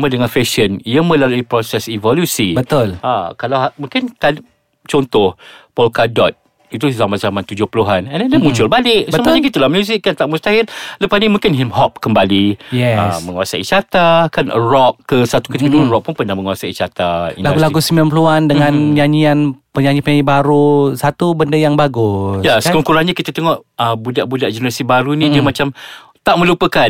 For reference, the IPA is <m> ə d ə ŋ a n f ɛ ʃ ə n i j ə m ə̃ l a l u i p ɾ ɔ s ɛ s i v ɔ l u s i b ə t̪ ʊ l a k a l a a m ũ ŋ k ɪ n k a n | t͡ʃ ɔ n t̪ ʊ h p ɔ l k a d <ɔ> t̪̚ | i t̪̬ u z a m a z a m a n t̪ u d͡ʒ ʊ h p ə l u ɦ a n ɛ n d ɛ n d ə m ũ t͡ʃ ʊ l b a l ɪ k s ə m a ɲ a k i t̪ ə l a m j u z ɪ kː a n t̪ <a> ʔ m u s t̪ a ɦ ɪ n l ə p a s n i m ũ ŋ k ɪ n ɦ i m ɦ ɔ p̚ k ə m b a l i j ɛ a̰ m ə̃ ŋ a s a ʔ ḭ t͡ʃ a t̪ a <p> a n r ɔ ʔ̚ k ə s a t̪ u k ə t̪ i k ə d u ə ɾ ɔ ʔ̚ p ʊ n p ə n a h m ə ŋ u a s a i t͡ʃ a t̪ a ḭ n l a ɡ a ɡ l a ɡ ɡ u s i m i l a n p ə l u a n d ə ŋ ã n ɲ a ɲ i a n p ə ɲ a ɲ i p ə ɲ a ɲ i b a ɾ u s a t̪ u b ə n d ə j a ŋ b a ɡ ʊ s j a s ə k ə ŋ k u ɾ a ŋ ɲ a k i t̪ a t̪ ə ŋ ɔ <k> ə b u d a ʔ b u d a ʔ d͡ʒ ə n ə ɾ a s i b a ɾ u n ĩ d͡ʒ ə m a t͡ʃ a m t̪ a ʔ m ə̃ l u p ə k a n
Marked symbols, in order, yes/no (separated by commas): yes, yes, yes, no, no